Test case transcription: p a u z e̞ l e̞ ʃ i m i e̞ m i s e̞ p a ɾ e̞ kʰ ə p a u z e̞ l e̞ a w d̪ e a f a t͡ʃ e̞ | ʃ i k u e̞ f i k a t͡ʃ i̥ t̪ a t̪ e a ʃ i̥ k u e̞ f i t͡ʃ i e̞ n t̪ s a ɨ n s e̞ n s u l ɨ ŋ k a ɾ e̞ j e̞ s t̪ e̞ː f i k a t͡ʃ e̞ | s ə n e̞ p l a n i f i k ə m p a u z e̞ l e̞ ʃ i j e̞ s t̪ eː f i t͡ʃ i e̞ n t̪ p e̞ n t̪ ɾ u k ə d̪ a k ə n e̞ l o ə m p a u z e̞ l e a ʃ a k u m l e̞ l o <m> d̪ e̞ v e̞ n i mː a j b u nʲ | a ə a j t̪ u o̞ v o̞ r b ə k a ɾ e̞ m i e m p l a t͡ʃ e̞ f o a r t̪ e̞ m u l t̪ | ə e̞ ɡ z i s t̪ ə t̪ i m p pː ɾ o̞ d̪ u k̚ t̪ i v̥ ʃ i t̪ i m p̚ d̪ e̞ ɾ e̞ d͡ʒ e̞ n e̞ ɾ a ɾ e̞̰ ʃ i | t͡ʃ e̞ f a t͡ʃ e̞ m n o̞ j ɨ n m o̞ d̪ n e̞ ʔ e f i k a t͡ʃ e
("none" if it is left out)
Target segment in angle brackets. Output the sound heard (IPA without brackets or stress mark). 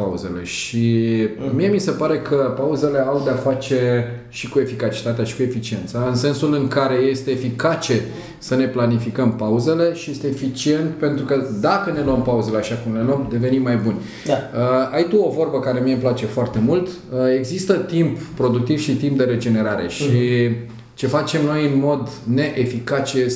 m